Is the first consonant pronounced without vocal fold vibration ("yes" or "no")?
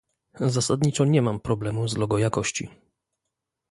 no